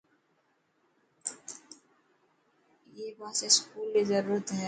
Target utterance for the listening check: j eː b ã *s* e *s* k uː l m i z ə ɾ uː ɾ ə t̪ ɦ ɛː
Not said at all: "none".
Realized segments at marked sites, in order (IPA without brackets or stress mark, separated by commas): s, s